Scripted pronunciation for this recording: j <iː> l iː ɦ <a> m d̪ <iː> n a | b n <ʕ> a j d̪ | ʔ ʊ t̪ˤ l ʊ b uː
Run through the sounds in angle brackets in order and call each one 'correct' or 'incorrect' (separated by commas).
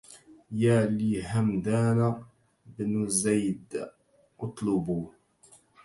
incorrect, correct, incorrect, incorrect